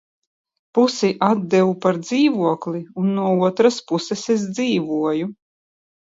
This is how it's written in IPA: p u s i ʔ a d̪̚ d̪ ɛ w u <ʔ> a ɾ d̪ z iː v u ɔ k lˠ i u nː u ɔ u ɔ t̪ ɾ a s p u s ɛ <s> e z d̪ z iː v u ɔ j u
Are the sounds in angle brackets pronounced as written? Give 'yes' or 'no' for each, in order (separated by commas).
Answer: no, yes